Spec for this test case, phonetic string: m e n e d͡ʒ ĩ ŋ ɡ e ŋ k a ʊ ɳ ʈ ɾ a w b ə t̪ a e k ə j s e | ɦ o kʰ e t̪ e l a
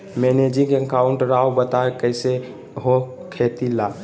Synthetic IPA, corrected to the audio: m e n e d͡ʒ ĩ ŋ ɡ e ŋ k a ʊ ɳ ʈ ɾ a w b ə t̪ a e k ə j s e | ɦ o kʰ e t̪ i l a